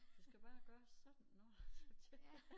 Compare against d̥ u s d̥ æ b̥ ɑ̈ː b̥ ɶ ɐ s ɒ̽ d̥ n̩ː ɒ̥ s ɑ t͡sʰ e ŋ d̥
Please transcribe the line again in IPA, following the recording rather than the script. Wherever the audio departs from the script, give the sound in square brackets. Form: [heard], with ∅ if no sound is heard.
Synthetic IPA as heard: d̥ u s [ɡ̥] æ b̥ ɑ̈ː [ɡ̥] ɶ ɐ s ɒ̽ d̥ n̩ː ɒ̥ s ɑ t͡sʰ e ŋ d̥

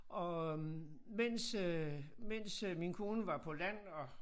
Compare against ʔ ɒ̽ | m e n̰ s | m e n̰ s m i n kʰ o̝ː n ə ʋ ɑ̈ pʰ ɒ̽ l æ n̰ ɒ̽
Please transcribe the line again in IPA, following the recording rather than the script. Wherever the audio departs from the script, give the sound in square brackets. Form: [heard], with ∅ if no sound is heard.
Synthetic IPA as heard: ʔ ɒ̽ | m e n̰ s | m e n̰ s m i n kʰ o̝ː n ə ʋ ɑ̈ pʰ ɒ̽ l æ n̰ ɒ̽

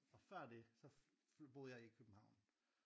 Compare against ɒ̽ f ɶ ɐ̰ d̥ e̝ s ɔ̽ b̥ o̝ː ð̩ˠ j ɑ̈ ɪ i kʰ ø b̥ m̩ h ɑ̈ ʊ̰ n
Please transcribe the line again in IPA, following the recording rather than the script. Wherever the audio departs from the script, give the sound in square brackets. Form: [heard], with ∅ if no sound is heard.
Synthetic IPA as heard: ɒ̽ f ɶ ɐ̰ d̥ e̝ s [ɒ̽] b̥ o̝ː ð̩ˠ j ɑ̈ ɪ i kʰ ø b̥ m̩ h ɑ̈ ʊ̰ n

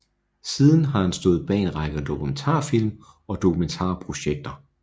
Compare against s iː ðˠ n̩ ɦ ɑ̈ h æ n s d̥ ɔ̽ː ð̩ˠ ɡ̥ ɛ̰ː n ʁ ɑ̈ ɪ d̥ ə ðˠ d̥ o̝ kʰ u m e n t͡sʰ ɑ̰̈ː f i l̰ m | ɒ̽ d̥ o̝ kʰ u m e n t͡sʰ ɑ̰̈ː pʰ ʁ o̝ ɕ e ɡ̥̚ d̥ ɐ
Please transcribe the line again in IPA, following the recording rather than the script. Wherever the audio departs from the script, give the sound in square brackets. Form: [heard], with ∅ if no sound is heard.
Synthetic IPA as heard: s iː ðˠ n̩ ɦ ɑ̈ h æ n s d̥ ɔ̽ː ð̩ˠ [b̥] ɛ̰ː n ʁ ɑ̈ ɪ [ɡ̥] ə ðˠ d̥ o̝ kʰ u m e n t͡sʰ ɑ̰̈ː f i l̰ m | ɒ̽ d̥ o̝ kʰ u m e n t͡sʰ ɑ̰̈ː pʰ ʁ o̝ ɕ e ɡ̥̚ d̥ ɐ

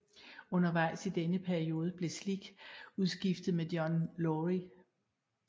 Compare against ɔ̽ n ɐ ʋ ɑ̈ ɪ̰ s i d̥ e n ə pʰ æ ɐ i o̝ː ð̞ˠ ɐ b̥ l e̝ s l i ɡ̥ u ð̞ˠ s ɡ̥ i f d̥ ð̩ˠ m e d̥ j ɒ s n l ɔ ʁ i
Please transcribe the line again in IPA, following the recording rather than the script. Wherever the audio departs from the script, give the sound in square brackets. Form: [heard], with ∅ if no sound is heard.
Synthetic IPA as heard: ɔ̽ n ɐ ʋ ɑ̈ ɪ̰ s i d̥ e n ə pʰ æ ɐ i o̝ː ð̞ˠ [ə] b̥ l e̝ s l i ɡ̥ u ð̞ˠ s ɡ̥ i f d̥ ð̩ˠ m e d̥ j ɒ [∅] n l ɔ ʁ i

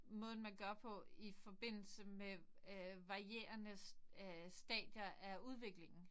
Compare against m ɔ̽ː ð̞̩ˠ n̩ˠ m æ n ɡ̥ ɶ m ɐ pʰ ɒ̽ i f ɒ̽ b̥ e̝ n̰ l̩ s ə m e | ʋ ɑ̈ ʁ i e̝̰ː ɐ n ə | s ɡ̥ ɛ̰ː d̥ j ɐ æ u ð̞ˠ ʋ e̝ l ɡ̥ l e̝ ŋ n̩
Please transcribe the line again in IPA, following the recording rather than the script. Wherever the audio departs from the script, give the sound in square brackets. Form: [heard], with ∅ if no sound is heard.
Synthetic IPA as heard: m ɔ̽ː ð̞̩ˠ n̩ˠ m æ n ɡ̥ ɶ [∅] ɐ pʰ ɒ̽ i f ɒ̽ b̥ e̝ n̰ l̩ s ə m e | ʋ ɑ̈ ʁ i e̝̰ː ɐ n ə | s [d̥] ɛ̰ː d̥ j ɐ æ u ð̞ˠ ʋ e̝ [∅] ɡ̥ l e̝ ŋ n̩

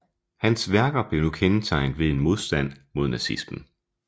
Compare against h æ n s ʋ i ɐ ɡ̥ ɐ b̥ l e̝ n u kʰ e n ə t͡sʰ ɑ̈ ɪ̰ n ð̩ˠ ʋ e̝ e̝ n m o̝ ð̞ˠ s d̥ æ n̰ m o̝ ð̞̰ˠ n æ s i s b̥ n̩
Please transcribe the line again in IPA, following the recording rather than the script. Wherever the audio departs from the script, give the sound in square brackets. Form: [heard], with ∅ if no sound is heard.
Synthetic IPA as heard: h æ n s ʋ [æ] ɐ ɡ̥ ɐ b̥ l e̝ n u kʰ e n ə t͡sʰ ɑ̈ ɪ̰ n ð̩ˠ ʋ e̝ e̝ n m o̝ ð̞ˠ s d̥ æ n̰ m o̝ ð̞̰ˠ n æ s i s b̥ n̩

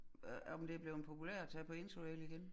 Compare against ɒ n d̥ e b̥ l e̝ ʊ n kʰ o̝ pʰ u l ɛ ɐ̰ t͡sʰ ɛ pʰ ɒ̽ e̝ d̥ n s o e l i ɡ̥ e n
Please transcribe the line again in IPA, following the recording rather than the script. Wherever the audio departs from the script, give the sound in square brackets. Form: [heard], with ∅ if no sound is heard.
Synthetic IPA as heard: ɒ [m] d̥ e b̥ l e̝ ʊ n [pʰ] o̝ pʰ u l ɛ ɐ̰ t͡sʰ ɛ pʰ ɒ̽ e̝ [∅] n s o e l i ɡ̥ e n

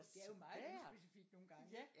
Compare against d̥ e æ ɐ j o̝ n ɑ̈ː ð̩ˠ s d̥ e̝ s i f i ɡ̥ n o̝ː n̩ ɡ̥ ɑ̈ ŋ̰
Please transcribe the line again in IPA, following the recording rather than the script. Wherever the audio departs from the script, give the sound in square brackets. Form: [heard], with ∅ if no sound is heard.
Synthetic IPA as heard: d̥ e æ ɐ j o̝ [m] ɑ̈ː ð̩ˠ s [b̥] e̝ s i f i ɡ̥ n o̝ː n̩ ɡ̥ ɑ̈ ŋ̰

